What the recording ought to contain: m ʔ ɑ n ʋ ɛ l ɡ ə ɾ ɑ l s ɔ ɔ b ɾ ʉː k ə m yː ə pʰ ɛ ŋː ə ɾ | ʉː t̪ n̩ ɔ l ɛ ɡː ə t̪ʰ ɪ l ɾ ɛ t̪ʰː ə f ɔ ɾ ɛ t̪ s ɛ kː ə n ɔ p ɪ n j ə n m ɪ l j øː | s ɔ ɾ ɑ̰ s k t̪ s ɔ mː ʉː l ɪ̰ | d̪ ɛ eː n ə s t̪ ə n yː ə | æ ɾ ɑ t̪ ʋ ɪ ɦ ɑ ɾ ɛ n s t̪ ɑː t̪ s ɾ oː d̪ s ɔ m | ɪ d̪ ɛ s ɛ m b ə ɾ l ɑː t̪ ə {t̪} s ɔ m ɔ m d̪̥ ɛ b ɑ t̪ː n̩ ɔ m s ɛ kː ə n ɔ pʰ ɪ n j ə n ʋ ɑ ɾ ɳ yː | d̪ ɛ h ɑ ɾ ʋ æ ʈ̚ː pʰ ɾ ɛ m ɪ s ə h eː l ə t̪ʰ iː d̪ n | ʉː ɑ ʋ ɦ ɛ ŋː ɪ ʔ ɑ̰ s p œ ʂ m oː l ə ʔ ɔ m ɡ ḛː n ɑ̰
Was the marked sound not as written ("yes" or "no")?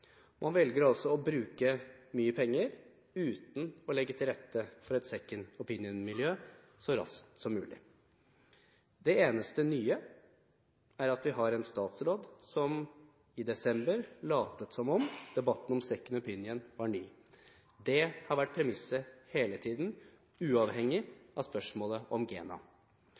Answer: no